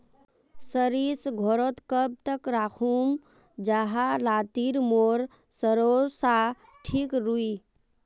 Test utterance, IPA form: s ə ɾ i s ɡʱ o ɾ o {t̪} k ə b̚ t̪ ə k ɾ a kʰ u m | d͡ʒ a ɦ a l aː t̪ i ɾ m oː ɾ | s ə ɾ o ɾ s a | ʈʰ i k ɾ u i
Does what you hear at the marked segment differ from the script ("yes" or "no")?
no